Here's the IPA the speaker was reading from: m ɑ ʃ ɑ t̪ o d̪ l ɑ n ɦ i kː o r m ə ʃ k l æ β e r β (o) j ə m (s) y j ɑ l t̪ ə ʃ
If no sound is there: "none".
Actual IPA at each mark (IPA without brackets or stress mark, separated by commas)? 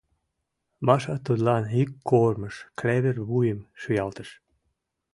u, ʃ